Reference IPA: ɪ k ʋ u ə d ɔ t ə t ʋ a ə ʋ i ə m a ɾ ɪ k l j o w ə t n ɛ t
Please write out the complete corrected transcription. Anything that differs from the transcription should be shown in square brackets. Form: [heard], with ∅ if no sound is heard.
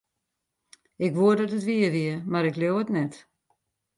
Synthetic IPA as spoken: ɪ k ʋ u ə d ɔ t ə t ʋ [i] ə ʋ i ə m a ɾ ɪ k l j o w ə t n ɛ t